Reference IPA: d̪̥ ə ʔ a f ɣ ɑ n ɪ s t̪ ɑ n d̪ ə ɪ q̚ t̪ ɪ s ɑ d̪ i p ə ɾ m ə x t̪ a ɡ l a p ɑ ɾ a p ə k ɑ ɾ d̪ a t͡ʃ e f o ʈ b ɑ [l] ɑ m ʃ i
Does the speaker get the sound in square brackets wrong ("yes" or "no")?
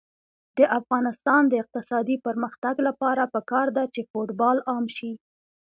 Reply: no